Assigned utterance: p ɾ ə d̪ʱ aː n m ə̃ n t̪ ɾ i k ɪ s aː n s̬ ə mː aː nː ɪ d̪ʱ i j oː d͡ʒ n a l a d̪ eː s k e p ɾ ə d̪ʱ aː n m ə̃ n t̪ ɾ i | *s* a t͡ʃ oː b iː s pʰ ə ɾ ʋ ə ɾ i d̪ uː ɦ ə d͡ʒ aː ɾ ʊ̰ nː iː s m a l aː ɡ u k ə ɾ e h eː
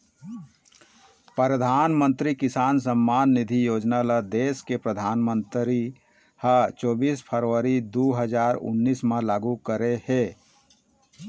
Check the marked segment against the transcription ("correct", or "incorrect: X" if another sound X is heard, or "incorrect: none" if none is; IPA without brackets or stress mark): incorrect: h